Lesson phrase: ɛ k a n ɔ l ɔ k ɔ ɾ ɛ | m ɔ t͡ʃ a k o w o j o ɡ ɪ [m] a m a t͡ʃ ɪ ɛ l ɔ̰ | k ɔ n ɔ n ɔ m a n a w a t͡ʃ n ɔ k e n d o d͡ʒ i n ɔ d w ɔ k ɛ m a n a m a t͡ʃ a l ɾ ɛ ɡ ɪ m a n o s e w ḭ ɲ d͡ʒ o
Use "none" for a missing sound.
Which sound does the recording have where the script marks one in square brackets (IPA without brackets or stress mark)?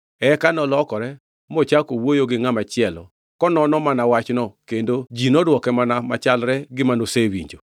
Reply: ŋ